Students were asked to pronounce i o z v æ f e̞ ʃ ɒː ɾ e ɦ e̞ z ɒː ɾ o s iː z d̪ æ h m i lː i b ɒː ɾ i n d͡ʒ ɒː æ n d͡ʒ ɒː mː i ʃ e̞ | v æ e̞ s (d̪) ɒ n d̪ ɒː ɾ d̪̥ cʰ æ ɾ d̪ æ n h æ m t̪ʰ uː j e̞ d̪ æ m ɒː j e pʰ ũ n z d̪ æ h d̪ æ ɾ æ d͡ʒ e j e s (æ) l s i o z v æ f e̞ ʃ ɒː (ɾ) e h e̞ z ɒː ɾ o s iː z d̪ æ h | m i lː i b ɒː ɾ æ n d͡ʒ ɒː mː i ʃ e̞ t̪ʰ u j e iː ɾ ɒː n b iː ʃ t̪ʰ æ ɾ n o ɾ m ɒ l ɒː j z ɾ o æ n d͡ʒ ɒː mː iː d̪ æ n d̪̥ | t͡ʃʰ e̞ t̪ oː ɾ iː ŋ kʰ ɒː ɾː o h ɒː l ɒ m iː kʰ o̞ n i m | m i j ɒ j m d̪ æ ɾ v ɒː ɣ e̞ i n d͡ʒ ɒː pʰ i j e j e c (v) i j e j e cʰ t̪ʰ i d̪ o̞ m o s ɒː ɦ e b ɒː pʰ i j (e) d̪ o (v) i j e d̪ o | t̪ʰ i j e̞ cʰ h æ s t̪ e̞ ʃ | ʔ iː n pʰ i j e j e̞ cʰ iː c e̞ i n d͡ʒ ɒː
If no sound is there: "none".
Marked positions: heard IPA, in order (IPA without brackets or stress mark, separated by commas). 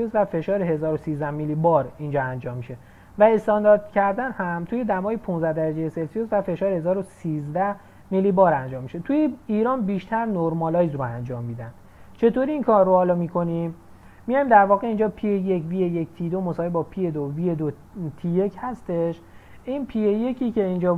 t̪, e, ɾ, v, e, v